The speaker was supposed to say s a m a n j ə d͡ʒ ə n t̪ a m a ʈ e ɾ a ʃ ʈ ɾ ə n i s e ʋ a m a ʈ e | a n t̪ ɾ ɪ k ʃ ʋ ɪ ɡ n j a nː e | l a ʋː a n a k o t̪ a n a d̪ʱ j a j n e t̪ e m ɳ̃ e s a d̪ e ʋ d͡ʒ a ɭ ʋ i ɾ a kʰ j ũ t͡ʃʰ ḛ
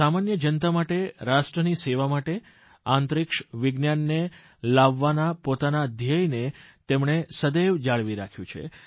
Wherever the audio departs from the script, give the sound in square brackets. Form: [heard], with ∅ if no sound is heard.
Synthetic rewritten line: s a m a n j ə d͡ʒ ə n t̪ a m a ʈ e ɾ a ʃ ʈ ɾ ə n i s e ʋ a m a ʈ e | a n t̪ ɾ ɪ k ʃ ʋ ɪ ɡ n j a nː e | l a ʋː a n a [p] o t̪ a n a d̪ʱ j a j n e t̪ e m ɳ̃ e s [ə] d̪ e ʋ d͡ʒ a ɭ ʋ i ɾ a kʰ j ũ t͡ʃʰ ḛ